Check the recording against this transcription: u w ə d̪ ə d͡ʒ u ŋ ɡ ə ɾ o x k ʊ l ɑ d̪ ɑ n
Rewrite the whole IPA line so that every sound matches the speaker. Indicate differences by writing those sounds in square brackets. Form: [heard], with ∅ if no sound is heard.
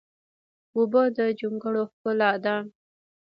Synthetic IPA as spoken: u [b] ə d̪ ə d͡ʒ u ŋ ɡ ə [ɽ] o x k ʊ l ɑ d̪ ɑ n

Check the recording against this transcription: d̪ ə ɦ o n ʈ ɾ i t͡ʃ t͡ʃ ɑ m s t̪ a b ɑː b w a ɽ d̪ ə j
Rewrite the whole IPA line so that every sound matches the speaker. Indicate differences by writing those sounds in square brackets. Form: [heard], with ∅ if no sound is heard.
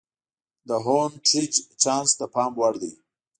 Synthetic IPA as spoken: d̪ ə ɦ o n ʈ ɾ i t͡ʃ t͡ʃ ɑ [n] s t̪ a [p] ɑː [m] w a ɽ d̪ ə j

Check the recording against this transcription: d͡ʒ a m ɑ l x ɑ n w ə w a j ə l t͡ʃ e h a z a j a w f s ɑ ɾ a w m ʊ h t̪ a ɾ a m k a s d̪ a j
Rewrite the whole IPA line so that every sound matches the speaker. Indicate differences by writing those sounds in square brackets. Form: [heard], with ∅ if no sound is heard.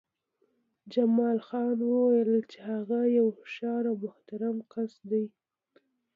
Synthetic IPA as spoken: d͡ʒ a m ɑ l x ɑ n w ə w a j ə l t͡ʃ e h a [ɣ] a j a w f [ʃ] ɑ ɾ a w m ʊ h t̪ a ɾ a m k a s d̪ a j

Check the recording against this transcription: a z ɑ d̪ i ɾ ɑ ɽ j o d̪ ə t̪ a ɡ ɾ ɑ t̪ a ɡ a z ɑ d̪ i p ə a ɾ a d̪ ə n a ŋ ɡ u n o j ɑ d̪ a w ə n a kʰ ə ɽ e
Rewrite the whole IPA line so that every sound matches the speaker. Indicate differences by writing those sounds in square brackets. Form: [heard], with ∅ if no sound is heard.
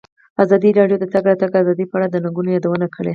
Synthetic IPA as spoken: a z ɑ d̪ i ɾ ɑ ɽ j o d̪ ə t̪ a ɡ ɾ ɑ t̪ a ɡ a z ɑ d̪ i p ə a [ɽ] a d̪ ə n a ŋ ɡ u n o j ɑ d̪ a w ə n a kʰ ə ɽ e

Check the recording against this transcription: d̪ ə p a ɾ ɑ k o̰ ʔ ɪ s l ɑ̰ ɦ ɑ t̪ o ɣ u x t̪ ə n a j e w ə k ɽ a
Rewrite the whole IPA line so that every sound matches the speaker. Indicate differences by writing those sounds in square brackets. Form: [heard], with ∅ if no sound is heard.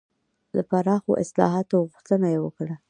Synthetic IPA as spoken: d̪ ə p a ɾ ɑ [x] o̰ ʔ ɪ s l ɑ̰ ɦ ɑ t̪ o ɣ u x t̪ ə n a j e w ə k ɽ a

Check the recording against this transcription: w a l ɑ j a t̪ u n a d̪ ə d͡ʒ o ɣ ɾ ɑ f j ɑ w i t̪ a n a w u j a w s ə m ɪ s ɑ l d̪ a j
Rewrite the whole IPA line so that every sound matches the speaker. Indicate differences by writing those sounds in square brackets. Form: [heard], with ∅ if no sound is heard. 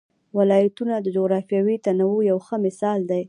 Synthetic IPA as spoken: w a l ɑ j a t̪ u n a d̪ ə d͡ʒ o ɣ ɾ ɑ f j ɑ w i t̪ a n a w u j a w [x] ə m ɪ s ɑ l d̪ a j

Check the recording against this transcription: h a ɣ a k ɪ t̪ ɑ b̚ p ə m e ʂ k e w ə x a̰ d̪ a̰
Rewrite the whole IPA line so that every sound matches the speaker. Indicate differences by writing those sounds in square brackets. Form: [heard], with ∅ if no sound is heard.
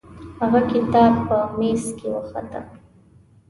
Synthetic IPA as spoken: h a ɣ a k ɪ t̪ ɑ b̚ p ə m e [s] k e w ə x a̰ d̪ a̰

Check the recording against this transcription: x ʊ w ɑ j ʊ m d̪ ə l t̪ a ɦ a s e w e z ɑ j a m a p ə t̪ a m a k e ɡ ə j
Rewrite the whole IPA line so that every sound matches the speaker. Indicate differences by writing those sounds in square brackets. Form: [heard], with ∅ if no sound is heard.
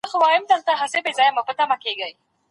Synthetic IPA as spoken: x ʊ w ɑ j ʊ m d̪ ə l t̪ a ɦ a s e [b] e z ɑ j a m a p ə t̪ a m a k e ɡ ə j

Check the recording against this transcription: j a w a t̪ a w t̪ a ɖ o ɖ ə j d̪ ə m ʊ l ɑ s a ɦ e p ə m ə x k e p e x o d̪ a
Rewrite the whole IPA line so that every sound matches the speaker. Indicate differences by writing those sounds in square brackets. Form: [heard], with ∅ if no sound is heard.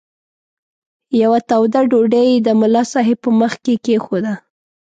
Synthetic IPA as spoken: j a w a t̪ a w [d̪] a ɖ o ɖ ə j d̪ ə m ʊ l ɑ s [ɑ] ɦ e p ə m ə x k e [k] e x o d̪ a

